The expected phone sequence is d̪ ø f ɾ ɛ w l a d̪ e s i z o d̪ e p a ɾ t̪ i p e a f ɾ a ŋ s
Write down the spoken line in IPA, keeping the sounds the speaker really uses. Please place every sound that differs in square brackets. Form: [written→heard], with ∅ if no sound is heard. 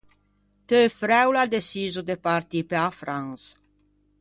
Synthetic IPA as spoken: [d̪→t̪] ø f ɾ ɛ w l a d̪ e s i z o d̪ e p a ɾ t̪ i p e a f ɾ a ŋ s